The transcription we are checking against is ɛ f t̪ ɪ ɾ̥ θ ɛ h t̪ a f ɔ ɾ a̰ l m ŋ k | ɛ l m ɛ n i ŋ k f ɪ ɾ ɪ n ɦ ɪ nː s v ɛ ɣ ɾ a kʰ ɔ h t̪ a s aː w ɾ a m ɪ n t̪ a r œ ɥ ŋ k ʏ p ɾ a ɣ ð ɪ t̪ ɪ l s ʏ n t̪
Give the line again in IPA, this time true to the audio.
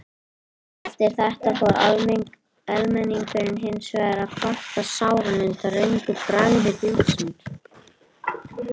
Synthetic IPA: ɛ f t̪ ɪ ɾ̥ θ ɛ h t̪ a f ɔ ɾ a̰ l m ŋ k | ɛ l m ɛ n i ŋ k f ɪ ɾ ɪ n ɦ ɪ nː s v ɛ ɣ ɾ a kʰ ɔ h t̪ a s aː w ɾ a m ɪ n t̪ a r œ ɥ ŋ k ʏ p ɾ a ɣ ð ɪ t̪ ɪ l s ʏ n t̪